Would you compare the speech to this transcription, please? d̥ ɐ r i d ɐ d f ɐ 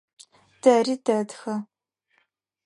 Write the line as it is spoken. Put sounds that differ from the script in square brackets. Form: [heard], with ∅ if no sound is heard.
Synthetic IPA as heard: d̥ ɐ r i d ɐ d [x] ɐ